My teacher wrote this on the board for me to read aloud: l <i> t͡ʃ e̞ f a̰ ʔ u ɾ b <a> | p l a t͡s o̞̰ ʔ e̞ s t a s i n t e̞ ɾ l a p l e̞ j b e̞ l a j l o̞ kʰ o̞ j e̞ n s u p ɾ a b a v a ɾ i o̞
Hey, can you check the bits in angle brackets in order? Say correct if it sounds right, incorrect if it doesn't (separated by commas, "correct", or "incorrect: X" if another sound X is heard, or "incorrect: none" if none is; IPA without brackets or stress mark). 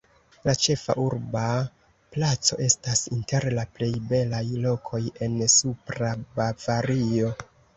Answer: incorrect: a, correct